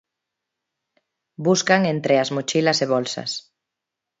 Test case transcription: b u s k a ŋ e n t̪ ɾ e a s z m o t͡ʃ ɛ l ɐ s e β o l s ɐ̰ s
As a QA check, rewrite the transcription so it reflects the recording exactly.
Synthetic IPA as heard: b u s k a ŋ e n t̪ ɾ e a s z m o t͡ʃ i l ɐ s e β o l s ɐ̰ s